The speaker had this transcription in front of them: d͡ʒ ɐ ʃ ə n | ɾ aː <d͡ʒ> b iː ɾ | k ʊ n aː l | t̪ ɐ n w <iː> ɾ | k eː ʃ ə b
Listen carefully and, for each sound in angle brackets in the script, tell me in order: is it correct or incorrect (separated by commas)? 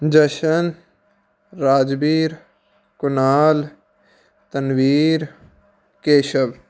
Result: correct, correct